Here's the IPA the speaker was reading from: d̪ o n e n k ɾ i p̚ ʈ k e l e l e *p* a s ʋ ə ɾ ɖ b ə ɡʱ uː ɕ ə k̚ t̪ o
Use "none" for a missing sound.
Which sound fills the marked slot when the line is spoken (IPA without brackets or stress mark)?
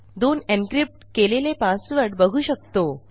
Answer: p